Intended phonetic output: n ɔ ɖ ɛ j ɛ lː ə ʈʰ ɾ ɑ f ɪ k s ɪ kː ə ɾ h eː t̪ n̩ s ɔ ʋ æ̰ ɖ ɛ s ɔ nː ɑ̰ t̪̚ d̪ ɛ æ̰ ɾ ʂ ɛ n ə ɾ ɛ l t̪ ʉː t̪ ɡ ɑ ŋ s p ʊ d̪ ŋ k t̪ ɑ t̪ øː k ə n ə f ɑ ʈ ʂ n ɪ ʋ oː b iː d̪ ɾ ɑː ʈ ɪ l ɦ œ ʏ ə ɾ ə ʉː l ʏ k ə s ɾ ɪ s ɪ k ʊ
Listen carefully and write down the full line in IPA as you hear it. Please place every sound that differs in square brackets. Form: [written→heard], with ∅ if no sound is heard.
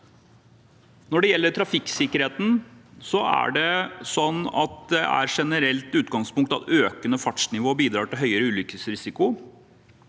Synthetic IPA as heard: n ɔ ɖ ɛ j ɛ lː ə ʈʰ ɾ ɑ f ɪ k s ɪ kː ə ɾ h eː t̪ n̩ s ɔ [ʋ→∅] æ̰ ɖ ɛ s ɔ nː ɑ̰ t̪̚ d̪ ɛ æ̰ ɾ ʂ ɛ n ə ɾ ɛ l t̪ ʉː t̪ ɡ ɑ ŋ s p ʊ [d̪→∅] ŋ k t̪ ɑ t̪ øː k ə n ə f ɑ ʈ ʂ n ɪ ʋ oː b iː d̪ ɾ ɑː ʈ ɪ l ɦ œ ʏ ə ɾ ə ʉː l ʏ k ə s ɾ ɪ s ɪ k ʊ

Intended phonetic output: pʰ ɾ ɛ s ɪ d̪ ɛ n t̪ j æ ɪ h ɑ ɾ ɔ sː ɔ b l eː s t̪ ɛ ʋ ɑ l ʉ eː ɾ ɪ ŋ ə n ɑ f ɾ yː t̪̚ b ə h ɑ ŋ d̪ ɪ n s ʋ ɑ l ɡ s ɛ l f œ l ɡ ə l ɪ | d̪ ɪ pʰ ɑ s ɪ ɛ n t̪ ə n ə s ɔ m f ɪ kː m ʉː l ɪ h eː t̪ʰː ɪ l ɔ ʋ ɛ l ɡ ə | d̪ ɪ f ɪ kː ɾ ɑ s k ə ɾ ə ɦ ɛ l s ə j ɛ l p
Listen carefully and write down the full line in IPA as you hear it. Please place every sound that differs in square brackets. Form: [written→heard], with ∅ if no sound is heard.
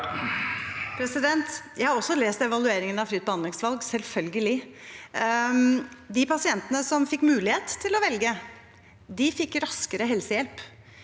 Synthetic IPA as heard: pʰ ɾ ɛ s ɪ d̪ ɛ n t̪ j æ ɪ h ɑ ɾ ɔ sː ɔ [b→∅] l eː s t̪ ɛ ʋ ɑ l ʉ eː ɾ ɪ ŋ ə n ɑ f ɾ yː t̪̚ b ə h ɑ [ŋ→n] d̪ ɪ [n→ŋ] s ʋ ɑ l ɡ s ɛ l f œ l ɡ ə l ɪ | d̪ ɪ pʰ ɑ s ɪ ɛ n t̪ ə n ə s ɔ m f ɪ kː m ʉː l ɪ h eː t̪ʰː ɪ l ɔ ʋ ɛ l ɡ ə | d̪ ɪ f ɪ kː ɾ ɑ s k ə ɾ ə ɦ ɛ l s ə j ɛ l p

